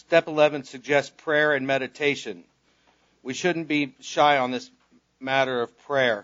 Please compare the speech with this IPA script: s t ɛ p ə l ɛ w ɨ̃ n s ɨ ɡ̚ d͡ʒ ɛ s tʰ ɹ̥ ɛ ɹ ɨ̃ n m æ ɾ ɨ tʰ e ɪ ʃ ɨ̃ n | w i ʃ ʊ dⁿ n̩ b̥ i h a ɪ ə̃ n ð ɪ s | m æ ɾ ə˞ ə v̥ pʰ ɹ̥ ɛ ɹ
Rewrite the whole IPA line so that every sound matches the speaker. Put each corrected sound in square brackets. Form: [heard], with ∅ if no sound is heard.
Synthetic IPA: s t ɛ p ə l ɛ [v] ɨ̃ n s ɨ ɡ̚ d͡ʒ ɛ s [pʰ] ɹ̥ ɛ ɹ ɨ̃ n m [ɛ] ɾ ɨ tʰ e ɪ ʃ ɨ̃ n | w i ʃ ʊ dⁿ n̩ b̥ i [ʃ] a ɪ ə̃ n ð ɪ s | m æ ɾ ə˞ [ʌ] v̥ pʰ ɹ̥ ɛ ɹ